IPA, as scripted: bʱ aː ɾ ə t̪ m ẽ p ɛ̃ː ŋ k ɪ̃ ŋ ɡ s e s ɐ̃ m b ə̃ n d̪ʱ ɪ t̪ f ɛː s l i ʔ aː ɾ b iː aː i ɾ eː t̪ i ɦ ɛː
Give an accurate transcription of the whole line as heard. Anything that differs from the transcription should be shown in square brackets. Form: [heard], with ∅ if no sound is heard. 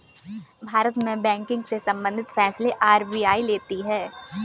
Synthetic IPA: bʱ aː ɾ ə t̪ m ẽ [b] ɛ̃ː ŋ k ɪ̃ ŋ ɡ s e s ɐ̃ m b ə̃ n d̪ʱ ɪ t̪ f ɛː s l [e] ʔ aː ɾ b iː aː i [l] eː t̪ i ɦ ɛː

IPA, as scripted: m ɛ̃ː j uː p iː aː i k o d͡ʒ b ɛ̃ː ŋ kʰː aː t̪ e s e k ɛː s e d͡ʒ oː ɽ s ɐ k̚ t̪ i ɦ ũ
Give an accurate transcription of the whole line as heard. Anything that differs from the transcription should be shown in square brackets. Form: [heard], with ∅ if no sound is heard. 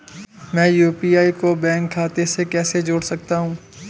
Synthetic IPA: m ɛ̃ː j uː p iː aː i k o [∅] b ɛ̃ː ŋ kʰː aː t̪ e s e k ɛː s e d͡ʒ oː ɽ s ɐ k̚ t̪ [a] ɦ [ũː]

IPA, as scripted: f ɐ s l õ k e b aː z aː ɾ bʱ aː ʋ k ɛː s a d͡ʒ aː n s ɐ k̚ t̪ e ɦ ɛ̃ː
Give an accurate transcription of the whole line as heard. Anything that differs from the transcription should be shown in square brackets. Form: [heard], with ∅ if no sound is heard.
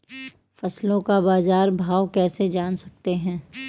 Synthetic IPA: f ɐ s l õ k [a] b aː z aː ɾ bʱ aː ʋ k ɛː s [e] d͡ʒ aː n s ɐ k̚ t̪ e ɦ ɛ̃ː

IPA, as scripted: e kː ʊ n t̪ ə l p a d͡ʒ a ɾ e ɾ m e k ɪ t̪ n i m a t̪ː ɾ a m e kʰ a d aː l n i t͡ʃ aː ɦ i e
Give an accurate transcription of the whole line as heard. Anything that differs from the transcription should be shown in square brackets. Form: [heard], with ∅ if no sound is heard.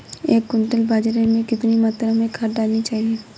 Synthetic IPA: e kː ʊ n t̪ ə l [b] a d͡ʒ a ɾ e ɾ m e k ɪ t̪ n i m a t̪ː ɾ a m e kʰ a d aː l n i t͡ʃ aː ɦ i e

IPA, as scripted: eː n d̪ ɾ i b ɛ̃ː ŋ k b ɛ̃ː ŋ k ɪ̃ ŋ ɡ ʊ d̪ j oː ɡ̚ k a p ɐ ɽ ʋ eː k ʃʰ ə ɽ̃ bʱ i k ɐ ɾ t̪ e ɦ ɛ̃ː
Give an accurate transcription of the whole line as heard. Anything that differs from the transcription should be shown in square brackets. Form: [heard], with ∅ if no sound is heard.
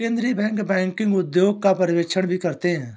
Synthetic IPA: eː n d̪ ɾ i b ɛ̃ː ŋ k b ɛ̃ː ŋ k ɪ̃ ŋ ɡ ʊ d̪ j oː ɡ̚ k a p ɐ [ɾ] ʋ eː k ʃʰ ə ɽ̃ bʱ i k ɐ ɾ t̪ e ɦ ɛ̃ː

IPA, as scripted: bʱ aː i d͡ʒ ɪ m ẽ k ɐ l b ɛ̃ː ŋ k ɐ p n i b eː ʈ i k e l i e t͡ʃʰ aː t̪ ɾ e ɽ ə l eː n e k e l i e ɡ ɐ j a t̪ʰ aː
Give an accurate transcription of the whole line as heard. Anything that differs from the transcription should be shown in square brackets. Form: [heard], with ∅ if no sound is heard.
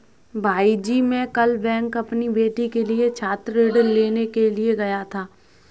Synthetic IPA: bʱ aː i d͡ʒ [i] m ẽ k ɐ l b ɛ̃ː ŋ k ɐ p n i b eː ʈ i k e l i e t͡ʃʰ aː t̪ ɾ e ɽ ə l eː n e k e l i e ɡ ɐ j a t̪ʰ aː

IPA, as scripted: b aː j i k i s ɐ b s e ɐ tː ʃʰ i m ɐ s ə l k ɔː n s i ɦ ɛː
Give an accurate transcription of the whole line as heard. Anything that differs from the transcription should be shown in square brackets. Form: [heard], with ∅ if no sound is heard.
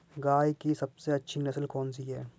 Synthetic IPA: [ɡ] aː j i k i s ɐ b s e ɐ tː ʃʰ i [n] ɐ s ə l k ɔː n s i ɦ ɛː

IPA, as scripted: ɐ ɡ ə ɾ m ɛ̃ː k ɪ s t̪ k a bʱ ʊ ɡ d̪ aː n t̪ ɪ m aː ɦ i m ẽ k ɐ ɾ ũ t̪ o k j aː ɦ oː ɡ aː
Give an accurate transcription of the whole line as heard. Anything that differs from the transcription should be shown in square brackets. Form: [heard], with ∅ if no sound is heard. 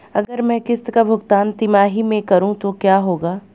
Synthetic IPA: ɐ ɡ ə ɾ m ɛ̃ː k ɪ s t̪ k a bʱ ʊ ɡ [t̪] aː n t̪ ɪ m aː ɦ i m ẽ k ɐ ɾ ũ t̪ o k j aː ɦ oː ɡ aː

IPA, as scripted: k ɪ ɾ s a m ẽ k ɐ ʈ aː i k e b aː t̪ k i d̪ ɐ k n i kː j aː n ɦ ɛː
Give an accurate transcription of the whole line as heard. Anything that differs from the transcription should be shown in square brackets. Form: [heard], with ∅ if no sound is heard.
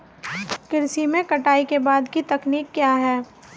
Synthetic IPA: k ɪ ɾ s [i] m ẽ k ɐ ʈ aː i k e b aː [d̪] k i [t̪] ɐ k n [iː] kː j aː [∅] ɦ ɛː

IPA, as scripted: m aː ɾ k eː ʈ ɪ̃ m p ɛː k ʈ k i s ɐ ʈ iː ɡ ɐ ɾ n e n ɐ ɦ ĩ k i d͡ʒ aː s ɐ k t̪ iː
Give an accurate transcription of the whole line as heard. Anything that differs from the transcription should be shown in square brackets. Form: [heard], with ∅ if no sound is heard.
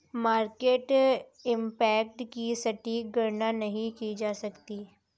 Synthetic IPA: m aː ɾ k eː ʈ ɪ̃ m p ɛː k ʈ k i s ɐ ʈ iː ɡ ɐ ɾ n [a] n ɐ ɦ ĩ k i d͡ʒ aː s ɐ k t̪ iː

